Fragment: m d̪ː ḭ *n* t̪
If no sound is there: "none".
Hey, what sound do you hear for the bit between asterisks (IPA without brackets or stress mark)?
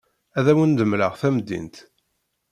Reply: n